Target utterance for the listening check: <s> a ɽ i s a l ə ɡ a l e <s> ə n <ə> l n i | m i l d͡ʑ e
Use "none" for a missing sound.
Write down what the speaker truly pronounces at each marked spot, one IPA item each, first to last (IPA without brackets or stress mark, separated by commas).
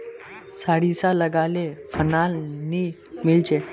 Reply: s, f, a